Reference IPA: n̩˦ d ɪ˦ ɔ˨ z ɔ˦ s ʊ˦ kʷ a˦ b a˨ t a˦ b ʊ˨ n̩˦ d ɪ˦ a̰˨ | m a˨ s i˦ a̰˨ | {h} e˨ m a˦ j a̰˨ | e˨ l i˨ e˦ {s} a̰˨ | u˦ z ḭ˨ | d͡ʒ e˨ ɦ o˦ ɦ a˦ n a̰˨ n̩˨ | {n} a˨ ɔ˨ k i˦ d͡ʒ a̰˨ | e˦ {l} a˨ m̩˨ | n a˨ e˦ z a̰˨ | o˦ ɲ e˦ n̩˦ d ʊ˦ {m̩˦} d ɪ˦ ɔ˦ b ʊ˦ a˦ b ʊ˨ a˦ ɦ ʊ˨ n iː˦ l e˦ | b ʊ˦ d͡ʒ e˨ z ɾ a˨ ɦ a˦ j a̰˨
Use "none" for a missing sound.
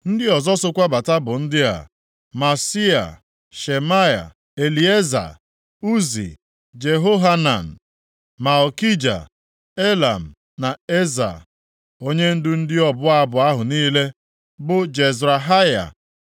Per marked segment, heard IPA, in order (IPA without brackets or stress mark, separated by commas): ʃ, z, m, l, n̩˦